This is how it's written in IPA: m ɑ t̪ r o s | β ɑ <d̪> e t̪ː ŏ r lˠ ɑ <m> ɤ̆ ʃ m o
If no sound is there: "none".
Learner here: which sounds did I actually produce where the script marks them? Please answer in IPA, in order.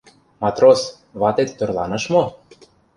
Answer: t̪, n

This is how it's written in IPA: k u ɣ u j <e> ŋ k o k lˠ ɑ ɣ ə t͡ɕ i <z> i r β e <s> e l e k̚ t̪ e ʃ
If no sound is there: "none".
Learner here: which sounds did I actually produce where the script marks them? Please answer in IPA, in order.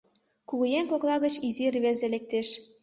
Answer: e, z, z

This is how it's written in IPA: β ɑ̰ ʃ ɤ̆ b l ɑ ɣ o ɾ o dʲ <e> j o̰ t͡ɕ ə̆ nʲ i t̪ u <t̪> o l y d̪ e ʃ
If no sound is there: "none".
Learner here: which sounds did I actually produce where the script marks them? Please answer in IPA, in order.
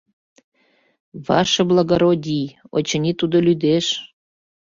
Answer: i, d̪

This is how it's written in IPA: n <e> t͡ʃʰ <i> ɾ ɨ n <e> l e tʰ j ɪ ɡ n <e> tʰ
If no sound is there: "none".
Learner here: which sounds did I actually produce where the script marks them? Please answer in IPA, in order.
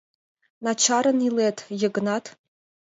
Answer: a, a, i, a

